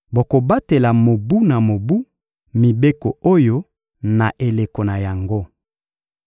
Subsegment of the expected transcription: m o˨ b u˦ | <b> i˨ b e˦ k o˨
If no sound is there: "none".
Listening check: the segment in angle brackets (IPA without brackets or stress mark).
m